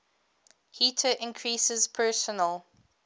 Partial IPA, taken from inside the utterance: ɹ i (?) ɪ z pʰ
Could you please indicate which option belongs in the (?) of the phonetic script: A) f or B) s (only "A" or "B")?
B